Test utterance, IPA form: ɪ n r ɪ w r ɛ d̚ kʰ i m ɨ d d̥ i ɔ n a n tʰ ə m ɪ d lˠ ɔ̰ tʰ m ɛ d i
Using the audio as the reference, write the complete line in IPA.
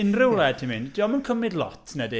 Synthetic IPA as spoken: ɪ n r ɪ w l ɛ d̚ tʰ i m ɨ n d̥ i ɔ m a n kʰ ə m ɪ d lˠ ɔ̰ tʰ n ɛ d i

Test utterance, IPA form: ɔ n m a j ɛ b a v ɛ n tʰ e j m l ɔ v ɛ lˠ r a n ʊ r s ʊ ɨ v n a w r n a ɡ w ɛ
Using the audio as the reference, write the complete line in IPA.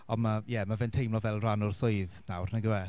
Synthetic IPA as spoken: ɔ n m a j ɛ m a v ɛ n tʰ e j m l ɔ v ɛ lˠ r a n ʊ r s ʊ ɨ ð n a w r n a ɡ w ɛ

